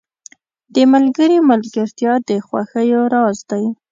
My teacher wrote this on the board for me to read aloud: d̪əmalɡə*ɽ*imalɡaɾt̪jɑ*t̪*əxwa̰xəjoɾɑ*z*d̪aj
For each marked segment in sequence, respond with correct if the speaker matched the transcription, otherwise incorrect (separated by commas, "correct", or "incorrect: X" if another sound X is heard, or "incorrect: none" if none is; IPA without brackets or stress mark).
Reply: incorrect: ɾ, incorrect: d̪, correct